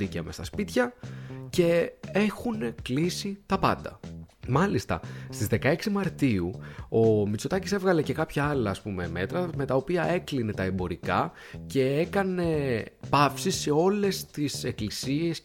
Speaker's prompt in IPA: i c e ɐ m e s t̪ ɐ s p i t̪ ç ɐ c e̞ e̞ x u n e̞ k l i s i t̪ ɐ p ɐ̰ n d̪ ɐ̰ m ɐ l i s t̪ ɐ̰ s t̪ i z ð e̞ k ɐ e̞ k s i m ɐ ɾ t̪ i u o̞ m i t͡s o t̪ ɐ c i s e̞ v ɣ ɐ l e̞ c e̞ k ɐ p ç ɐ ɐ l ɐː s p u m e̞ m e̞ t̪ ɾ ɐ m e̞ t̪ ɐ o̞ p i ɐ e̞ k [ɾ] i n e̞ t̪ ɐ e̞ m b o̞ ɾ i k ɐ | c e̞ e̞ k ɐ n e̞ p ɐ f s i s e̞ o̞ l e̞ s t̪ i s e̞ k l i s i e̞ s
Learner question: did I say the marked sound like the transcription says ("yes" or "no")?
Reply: no